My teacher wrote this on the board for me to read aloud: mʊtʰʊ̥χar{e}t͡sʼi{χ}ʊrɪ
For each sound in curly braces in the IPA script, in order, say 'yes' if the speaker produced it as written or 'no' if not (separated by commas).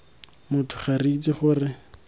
no, yes